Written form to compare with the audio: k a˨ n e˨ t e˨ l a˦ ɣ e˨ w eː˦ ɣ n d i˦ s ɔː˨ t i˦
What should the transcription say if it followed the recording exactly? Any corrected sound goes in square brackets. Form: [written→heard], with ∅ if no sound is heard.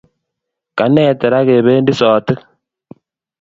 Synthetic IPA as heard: k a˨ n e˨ t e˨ [l→ɾ] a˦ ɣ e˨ [w→β] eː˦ [ɣ→∅] n d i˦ s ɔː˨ t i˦